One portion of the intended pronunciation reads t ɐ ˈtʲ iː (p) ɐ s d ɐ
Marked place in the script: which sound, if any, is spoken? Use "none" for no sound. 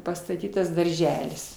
t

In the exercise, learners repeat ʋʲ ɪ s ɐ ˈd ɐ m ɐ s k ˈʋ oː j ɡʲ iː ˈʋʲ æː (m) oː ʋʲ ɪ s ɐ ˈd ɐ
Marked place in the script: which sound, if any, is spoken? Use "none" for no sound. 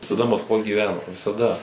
n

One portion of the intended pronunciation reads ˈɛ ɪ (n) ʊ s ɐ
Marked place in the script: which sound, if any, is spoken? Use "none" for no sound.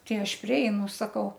n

